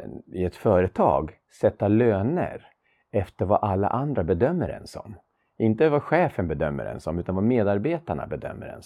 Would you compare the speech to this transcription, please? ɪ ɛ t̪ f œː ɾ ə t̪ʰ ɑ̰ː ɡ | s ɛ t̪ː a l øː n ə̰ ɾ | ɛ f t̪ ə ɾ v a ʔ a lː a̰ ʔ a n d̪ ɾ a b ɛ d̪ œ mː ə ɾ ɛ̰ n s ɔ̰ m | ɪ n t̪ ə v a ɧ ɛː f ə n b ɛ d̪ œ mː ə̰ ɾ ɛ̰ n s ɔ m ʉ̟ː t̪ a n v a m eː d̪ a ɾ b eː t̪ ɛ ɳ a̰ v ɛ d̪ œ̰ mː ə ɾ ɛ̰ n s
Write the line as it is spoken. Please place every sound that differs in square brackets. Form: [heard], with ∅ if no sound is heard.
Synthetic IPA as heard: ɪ ɛ t̪ f œː ɾ ə t̪ʰ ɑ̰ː ɡ | s ɛ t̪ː a l øː n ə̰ ɾ | ɛ f t̪ ə ɾ v a ʔ a lː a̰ ʔ a n d̪ ɾ a b ɛ d̪ œ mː ə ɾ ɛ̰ n s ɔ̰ m | ɪ n t̪ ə v a ɧ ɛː f ə n b ɛ d̪ œ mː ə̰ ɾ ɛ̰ n s ɔ m ʉ̟ː t̪ a n v a m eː d̪ a ɾ b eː t̪ [a] ɳ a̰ [b] ɛ d̪ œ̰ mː ə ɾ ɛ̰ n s